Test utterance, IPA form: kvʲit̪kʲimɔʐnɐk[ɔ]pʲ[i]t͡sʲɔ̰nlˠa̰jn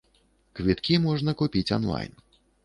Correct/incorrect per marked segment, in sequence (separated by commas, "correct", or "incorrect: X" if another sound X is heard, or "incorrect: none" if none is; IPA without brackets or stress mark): incorrect: u, correct